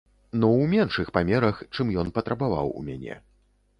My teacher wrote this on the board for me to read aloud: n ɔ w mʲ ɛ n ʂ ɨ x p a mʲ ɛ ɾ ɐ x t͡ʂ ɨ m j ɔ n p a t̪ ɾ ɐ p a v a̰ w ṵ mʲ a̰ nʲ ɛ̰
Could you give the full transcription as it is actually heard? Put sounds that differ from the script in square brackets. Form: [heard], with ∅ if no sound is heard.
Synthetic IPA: n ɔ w mʲ ɛ n ʂ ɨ x p a mʲ ɛ ɾ ɐ x t͡ʂ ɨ m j ɔ n p [ɐ] t̪ ɾ ɐ [b] a v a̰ w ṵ mʲ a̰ nʲ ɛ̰